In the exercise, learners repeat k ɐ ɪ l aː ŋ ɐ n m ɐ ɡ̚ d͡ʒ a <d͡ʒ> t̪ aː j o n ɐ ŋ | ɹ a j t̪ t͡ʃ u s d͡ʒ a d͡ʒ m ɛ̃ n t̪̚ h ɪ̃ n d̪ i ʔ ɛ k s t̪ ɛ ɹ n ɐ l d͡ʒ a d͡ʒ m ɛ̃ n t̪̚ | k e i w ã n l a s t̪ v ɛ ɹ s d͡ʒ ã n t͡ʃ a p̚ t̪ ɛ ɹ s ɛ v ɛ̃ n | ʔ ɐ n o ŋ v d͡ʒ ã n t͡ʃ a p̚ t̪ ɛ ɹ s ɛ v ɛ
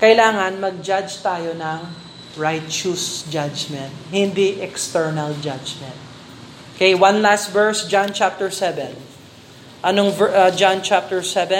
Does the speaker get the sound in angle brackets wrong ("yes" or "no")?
no